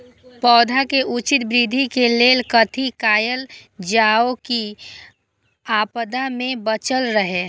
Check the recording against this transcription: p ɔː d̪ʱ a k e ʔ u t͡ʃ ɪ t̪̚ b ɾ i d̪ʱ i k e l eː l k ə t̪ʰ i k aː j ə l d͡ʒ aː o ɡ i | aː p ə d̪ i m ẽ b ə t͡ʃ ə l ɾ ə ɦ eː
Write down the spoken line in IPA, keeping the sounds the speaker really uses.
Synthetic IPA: p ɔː d̪ʱ a k e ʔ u t͡ʃ ɪ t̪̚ b ɾ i d̪ʱ i k e l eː l k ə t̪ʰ i k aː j ə l d͡ʒ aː o k i | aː p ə d̪ a m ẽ b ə t͡ʃ ə l ɾ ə ɦ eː